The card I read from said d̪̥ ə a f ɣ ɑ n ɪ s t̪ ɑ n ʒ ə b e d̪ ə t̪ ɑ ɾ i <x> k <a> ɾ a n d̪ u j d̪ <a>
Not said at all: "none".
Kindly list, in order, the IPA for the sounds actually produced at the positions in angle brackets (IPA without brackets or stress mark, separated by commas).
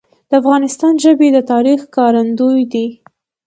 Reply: x, ɑ, i